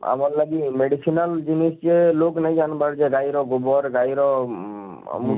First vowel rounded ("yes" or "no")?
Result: no